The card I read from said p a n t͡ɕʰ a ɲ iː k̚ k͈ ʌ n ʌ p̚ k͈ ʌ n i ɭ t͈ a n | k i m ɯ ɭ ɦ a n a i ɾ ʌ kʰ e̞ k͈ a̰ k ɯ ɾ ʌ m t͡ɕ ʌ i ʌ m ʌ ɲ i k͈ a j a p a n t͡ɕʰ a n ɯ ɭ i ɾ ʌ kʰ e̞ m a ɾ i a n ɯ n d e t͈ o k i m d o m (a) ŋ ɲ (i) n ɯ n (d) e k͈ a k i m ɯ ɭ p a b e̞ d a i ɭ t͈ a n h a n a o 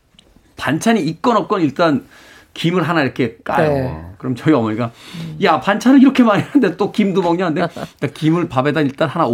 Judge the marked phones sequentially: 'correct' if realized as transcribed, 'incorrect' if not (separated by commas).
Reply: incorrect, incorrect, correct